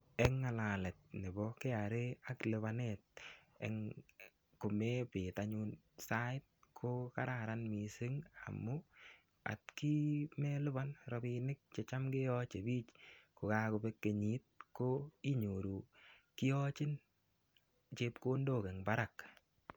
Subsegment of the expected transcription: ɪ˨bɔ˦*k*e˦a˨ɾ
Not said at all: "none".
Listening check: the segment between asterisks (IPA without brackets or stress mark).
k